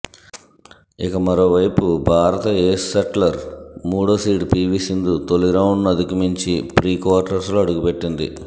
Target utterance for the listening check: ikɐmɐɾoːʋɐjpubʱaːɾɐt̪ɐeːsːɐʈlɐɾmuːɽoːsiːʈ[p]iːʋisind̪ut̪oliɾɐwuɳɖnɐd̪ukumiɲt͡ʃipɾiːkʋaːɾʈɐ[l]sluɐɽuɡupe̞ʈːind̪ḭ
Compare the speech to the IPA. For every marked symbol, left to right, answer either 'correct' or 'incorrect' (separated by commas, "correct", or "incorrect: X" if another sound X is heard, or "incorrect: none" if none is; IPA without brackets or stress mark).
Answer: correct, incorrect: ɾ